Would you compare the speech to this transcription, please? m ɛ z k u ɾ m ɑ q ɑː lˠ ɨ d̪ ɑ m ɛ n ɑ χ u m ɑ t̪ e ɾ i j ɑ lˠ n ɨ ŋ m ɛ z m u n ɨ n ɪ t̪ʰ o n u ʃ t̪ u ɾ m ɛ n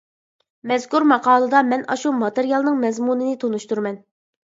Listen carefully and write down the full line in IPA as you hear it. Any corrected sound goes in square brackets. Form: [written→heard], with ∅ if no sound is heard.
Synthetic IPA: m ɛ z k u ɾ m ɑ q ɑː lˠ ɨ d̪ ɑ m ɛ n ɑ [χ→ʃ] u m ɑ t̪ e ɾ i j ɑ lˠ n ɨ ŋ m ɛ z m u n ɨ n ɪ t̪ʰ o n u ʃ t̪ u ɾ m ɛ n